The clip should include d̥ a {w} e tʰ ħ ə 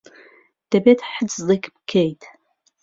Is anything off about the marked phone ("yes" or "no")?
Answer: yes